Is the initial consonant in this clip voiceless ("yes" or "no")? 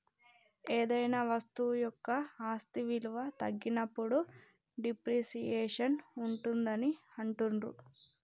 no